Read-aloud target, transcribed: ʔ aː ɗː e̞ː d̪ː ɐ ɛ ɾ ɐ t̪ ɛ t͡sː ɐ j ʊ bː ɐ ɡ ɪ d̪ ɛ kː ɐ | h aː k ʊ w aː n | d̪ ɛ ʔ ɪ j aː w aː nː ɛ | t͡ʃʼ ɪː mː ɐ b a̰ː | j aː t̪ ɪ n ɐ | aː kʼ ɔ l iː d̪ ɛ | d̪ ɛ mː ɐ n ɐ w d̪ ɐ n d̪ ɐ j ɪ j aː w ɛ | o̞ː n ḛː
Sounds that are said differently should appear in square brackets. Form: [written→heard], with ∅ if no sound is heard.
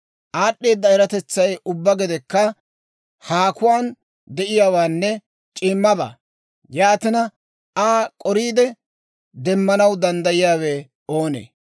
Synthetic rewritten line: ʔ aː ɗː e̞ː d̪ː ɐ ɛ ɾ ɐ t̪ ɛ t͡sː ɐ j ʊ bː ɐ ɡ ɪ d̪ ɛ kː ɐ | h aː k ʊ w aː n | d̪ ɛ ʔ ɪ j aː w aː nː ɛ | t͡ʃʼ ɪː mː ɐ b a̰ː | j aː t̪ ɪ n ɐ | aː kʼ ɔ [l→ɾ] iː d̪ ɛ | d̪ ɛ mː ɐ n ɐ w d̪ ɐ n d̪ ɐ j ɪ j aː w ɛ | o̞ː n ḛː

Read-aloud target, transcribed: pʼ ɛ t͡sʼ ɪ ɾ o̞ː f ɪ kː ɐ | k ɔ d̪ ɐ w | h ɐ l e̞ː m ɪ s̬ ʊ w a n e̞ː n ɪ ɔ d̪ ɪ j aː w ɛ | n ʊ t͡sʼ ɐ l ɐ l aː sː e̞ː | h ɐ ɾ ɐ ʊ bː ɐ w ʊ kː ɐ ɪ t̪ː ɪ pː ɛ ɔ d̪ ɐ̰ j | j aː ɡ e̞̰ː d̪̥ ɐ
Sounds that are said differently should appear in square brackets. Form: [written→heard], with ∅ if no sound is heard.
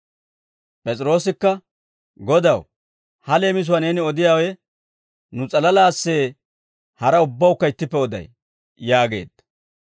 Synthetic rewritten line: pʼ ɛ t͡sʼ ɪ ɾ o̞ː [f→s] ɪ kː ɐ | [k→ɡ] ɔ d̪ ɐ w | h ɐ l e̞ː m ɪ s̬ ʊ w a n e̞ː n ɪ ɔ d̪ ɪ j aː w ɛ | n ʊ t͡sʼ ɐ l ɐ l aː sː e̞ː | h ɐ ɾ ɐ ʊ bː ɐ w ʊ kː ɐ ɪ t̪ː ɪ pː ɛ ɔ d̪ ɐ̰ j | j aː ɡ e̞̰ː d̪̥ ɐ

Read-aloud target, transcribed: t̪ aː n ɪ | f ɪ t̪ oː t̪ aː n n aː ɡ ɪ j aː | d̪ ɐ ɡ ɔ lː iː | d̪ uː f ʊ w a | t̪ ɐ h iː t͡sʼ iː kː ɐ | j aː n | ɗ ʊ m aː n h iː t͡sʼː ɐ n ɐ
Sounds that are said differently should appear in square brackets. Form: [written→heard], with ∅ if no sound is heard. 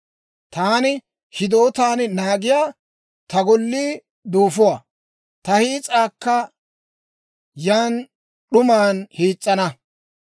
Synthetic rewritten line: t̪ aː n ɪ | [f→h] ɪ [t̪→d̪] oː t̪ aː n n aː ɡ ɪ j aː | [d̪→t̪] ɐ ɡ ɔ lː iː | d̪ uː f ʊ w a | t̪ ɐ h iː t͡sʼ [iː→aː] kː ɐ | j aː n | ɗ ʊ m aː n h iː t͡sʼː ɐ n ɐ

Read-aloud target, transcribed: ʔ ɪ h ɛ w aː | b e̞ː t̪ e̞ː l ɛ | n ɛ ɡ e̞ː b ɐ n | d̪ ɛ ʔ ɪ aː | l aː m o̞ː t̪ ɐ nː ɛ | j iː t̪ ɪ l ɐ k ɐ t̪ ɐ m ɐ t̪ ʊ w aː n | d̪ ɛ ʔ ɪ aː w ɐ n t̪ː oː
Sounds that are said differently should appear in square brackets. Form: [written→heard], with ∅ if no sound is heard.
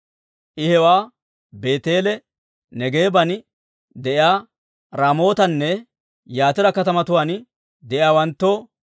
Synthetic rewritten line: ʔ ɪ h ɛ w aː | b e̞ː t̪ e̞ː l ɛ | n ɛ ɡ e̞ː b ɐ n | d̪ ɛ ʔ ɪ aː | [l→ɾ] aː m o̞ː t̪ ɐ nː ɛ | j [iː→aː] t̪ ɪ [l→ɾ] ɐ k ɐ t̪ ɐ m ɐ t̪ ʊ w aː n | d̪ ɛ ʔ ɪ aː w ɐ n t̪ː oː

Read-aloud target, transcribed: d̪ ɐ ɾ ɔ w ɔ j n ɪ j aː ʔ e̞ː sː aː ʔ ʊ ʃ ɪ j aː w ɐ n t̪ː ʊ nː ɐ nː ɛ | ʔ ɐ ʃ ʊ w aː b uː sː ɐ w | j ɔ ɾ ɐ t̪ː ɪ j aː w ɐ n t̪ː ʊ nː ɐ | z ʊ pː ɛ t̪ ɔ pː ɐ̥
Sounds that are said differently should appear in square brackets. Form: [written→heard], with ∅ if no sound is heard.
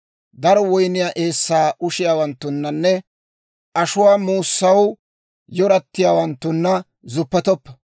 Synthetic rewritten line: d̪ ɐ ɾ ɔ w ɔ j n ɪ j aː ʔ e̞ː sː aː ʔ ʊ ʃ ɪ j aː w ɐ n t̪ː ʊ nː ɐ nː ɛ | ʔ ɐ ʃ ʊ w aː [b→m] uː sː ɐ w | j ɔ ɾ ɐ t̪ː ɪ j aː w ɐ n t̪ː ʊ nː ɐ | z ʊ pː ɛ t̪ ɔ pː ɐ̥

